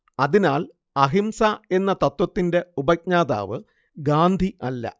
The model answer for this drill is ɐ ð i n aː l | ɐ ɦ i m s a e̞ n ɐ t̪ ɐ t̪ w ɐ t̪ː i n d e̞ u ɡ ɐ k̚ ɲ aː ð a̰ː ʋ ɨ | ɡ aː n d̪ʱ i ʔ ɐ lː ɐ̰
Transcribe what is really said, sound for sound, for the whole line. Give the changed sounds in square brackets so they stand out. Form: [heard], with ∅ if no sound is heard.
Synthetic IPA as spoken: ɐ ð i n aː l | ɐ ɦ i m s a e̞ [nː] ɐ t̪ ɐ t̪ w ɐ t̪ː i n d e̞ u [b] ɐ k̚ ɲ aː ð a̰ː ʋ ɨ | ɡ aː n d̪ʱ i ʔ ɐ lː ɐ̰